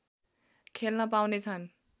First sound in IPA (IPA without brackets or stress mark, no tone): kʰ